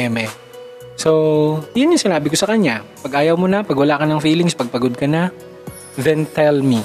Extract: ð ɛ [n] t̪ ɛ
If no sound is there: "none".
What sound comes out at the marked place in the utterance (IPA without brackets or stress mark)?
n